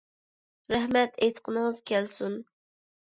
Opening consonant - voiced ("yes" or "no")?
yes